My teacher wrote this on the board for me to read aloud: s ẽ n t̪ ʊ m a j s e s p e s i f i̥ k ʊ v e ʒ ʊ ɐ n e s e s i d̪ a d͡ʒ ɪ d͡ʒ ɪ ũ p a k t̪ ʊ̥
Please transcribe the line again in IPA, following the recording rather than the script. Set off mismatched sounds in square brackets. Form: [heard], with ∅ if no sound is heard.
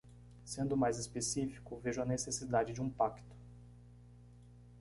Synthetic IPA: s ẽ n [d̪] ʊ m a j [z] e s p e s i f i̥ k ʊ v e ʒ ʊ ɐ n e s e s i d̪ a d͡ʒ ɪ d͡ʒ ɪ ũ p a k t̪ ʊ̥

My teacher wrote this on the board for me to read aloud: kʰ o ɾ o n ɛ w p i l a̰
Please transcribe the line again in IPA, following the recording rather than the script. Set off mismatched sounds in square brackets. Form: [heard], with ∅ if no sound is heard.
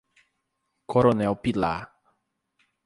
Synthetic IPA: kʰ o ɾ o n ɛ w p i l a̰

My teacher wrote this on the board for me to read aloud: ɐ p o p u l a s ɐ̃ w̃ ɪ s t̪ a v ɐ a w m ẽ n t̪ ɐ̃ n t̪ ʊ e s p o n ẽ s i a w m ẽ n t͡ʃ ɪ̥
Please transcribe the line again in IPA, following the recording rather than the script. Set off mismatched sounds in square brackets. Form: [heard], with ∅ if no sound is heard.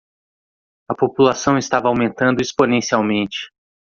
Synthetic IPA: ɐ p o p u l a s ɐ̃ w̃ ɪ s t̪ a v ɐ a w m ẽ n t̪ ɐ̃ n [d̪] ʊ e s p o n ẽ s i a w m ẽ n t͡ʃ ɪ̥

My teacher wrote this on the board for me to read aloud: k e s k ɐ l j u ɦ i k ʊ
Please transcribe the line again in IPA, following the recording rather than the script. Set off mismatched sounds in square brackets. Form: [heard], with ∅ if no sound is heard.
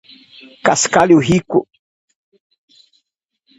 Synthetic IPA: k [a] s k [a] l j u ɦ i k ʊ

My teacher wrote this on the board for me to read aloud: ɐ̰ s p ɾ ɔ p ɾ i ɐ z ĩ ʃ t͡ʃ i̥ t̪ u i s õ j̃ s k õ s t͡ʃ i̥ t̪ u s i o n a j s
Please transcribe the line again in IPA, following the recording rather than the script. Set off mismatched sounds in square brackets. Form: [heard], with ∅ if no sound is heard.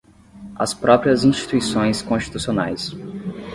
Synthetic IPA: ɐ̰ s p ɾ ɔ p ɾ i ɐ z ĩ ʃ t͡ʃ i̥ t̪ u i s õ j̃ s k õ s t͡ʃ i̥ t̪ u s i o n a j s

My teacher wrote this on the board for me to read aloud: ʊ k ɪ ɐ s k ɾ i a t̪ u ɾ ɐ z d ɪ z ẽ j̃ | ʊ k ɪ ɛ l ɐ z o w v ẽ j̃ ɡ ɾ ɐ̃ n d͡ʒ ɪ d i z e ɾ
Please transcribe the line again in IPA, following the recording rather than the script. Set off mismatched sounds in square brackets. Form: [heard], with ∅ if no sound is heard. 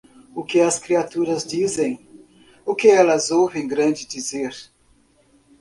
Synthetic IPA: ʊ k ɪ ɐ s k ɾ i a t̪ u ɾ ɐ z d [i] z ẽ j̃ | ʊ k ɪ ɛ l ɐ z o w v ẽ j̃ ɡ ɾ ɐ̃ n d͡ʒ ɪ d i z e ɾ

